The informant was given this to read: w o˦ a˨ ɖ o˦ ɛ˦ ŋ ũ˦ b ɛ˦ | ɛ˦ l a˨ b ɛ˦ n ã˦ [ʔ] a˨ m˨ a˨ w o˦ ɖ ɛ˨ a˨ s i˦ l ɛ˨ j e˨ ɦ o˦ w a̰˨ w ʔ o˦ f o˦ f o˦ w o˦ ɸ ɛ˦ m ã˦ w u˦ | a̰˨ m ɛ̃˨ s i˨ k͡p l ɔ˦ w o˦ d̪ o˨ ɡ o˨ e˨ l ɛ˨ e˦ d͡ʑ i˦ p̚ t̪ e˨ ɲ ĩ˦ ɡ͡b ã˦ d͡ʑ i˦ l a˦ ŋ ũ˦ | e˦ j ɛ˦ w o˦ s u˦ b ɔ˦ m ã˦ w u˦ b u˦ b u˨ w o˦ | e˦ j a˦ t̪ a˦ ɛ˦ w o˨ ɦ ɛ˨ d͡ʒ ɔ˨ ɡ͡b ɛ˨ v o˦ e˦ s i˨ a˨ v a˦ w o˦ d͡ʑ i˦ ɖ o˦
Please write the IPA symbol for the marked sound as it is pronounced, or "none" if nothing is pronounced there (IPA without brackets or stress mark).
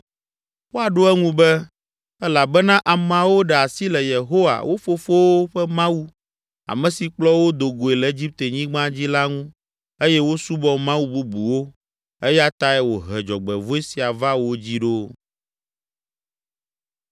ʔ